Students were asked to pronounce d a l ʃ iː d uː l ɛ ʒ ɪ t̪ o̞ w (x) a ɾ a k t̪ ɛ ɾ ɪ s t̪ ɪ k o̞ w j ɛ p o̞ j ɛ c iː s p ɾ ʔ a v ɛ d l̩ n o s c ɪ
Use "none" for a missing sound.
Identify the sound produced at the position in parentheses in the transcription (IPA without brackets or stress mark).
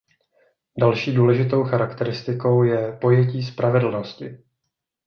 x